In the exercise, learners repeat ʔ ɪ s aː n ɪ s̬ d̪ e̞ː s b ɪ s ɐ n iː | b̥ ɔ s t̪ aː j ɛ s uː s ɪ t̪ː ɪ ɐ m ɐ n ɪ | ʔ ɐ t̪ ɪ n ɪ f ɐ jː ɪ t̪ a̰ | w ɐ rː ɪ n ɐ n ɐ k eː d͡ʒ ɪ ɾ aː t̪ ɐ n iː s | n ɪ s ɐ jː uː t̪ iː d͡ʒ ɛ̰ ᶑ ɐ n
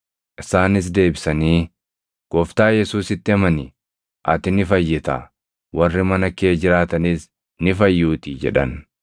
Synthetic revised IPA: ʔ ɪ s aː n ɪ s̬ d̪ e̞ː b ɪ s ɐ n iː | ɡ̥ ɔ f t̪ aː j ɛ s uː s ɪ t̪ː ɪ ɐ m ɐ n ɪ | ʔ ɐ t̪ ɪ n ɪ f ɐ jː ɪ t̪ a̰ | w ɐ rː ɪ m ɐ n ɐ k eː d͡ʒ ɪ ɾ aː t̪ ɐ n iː s | n ɪ f ɐ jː uː t̪ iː d͡ʒ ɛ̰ ᶑ ɐ n